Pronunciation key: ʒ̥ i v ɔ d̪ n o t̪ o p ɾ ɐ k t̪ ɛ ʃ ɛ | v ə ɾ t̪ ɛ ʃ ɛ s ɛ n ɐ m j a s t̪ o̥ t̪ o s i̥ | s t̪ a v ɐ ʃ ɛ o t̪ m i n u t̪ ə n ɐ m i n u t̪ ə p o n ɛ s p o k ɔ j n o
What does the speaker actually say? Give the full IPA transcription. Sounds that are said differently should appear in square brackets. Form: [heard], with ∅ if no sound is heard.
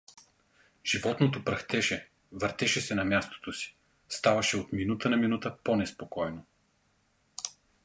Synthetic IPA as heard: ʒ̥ i v ɔ [t̪] n o t̪ o p ɾ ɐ [x] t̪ ɛ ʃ ɛ | v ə ɾ t̪ ɛ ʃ ɛ s ɛ n ɐ m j a s t̪ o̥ t̪ o s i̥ | s t̪ a v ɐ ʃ ɛ o t̪ m i n u t̪ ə n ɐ m i n u t̪ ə p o n ɛ s p o k ɔ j n o

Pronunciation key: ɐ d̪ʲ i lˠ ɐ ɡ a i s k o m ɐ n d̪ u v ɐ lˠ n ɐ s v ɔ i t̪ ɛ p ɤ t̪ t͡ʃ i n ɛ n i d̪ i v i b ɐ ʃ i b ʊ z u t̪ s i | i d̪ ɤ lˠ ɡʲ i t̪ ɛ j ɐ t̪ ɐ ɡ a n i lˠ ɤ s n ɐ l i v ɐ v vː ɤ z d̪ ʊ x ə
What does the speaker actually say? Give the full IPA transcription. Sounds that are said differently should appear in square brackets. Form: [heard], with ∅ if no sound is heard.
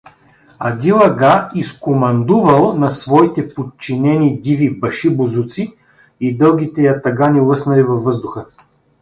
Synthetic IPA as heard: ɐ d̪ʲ i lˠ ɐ ɡ a i s k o m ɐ n d̪ u v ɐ lˠ n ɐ s v ɔ i t̪ ɛ p [o] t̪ t͡ʃ i n ɛ n i d̪ i v i b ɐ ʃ i b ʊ z u t̪ s i | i d̪ ɤ lˠ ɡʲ i t̪ ɛ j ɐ t̪ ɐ ɡ a n i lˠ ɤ s n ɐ l i v ɐ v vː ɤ z d̪ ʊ x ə

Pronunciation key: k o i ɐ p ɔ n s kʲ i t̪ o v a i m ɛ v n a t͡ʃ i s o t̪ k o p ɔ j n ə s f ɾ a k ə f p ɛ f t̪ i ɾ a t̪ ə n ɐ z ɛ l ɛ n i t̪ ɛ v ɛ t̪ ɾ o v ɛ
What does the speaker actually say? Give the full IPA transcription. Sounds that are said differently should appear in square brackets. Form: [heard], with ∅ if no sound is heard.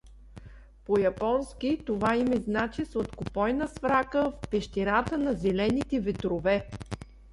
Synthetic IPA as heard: [p] o [j] ɐ p ɔ n s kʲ i t̪ o v a i m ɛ [z] n a t͡ʃ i s o t̪ k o p ɔ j n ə s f ɾ a k ə f p ɛ [ʃ] t̪ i ɾ a t̪ ə n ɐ z ɛ l ɛ n i t̪ ɛ v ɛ t̪ ɾ o v ɛ

